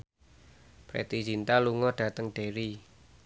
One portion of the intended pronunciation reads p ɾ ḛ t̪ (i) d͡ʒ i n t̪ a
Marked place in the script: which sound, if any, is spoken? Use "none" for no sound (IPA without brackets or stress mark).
i